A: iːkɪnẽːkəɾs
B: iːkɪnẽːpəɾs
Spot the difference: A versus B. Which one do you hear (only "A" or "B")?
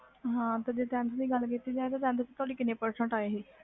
B